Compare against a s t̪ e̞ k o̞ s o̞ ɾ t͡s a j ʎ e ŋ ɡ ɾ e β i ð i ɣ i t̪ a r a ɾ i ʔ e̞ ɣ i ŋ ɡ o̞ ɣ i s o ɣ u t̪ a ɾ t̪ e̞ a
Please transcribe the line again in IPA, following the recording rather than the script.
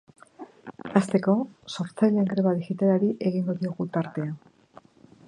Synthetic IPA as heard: a s t̪ e̞ k o̞ s o̞ ɾ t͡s a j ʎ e ŋ ɡ ɾ e β a ð i x i t̪ a l a ɾ i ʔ e̞ ɣ i ŋ ɡ o̞ ð i o ɣ u t̪ a ɾ t̪ e̞ a